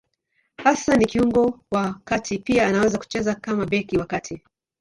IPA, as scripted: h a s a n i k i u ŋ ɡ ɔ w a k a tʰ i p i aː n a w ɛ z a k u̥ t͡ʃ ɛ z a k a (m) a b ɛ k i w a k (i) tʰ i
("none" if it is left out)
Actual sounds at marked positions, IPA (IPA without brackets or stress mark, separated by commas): m, a